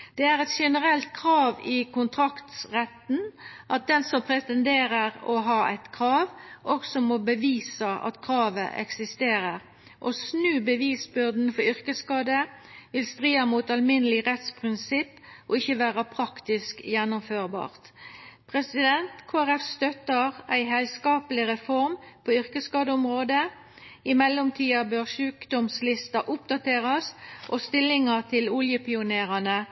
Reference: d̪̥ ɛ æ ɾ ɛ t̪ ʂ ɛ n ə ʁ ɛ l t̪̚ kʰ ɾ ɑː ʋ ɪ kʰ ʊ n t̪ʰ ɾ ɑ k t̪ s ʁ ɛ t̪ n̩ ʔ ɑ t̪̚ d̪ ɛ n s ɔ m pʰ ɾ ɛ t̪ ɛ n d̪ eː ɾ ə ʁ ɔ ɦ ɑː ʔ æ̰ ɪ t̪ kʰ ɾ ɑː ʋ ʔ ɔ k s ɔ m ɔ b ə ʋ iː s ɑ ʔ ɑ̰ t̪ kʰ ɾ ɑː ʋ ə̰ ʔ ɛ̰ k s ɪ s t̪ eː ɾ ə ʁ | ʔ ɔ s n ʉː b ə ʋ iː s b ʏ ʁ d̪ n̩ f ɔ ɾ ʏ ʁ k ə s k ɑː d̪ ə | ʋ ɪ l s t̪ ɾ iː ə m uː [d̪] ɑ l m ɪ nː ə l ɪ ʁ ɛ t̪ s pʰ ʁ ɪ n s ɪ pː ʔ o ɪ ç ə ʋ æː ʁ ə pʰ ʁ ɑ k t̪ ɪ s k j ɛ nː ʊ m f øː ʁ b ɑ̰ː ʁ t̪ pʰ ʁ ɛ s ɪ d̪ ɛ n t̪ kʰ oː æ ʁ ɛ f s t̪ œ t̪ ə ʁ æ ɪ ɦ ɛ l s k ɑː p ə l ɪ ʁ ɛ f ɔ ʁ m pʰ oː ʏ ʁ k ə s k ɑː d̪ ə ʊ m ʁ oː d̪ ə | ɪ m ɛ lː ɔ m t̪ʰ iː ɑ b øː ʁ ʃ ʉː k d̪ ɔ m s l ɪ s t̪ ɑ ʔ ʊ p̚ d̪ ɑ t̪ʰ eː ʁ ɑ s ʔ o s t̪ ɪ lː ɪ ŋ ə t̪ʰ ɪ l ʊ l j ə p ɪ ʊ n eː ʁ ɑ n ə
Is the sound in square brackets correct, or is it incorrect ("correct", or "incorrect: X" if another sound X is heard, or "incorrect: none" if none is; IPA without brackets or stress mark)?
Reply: incorrect: t̪